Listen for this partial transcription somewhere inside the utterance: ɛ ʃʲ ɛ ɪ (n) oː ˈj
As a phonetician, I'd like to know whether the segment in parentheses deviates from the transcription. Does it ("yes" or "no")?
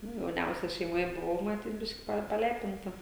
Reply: yes